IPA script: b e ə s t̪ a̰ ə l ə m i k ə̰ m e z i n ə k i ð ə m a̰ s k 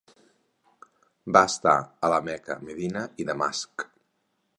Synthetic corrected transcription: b a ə s t̪ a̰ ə l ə m ɛ k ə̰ m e ð i n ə i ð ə m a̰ s k